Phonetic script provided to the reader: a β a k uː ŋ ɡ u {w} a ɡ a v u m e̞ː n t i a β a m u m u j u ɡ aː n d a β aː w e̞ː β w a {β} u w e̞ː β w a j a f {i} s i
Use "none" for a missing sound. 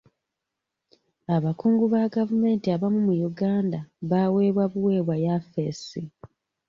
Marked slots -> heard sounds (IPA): β, β, e

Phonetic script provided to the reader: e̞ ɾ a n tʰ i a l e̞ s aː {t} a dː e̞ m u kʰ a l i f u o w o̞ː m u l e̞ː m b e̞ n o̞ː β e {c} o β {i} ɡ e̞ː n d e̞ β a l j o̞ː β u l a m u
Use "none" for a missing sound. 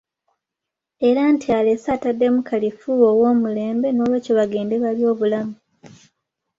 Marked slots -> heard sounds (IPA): t, c, a

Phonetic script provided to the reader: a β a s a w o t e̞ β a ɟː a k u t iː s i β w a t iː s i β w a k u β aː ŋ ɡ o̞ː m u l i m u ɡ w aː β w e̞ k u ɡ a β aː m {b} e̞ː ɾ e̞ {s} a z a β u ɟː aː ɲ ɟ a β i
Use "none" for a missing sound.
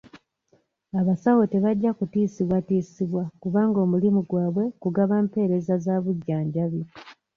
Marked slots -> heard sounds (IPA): p, z

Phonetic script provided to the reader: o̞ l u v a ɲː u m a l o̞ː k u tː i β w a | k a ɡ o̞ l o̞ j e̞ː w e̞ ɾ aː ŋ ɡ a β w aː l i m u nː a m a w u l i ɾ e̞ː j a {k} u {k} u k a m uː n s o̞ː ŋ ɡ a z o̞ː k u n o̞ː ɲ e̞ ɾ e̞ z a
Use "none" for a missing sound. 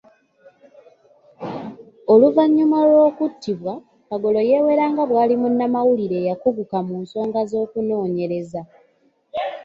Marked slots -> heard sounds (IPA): k, ɡ

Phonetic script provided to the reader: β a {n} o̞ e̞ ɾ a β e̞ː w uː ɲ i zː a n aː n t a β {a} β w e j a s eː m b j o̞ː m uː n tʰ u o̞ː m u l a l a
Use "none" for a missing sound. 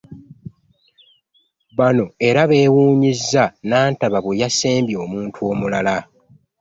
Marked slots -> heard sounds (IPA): n, a

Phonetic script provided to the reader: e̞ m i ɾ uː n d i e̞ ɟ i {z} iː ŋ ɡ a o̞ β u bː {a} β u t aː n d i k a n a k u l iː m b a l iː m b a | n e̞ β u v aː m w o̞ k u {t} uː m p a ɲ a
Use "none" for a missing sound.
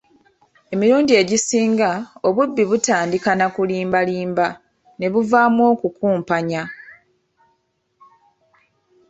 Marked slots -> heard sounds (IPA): s, i, k

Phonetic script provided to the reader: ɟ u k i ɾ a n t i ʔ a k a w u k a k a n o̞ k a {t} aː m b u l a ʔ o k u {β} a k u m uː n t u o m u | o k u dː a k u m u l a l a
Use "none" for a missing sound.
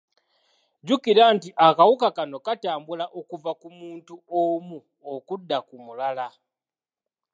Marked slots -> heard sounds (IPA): t, v

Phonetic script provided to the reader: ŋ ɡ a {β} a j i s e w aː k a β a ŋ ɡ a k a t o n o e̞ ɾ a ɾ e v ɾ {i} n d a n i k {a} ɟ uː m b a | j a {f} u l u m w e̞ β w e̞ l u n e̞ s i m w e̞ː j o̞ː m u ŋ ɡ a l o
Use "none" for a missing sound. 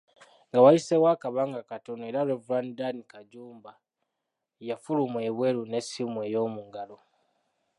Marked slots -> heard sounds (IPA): w, a, a, f

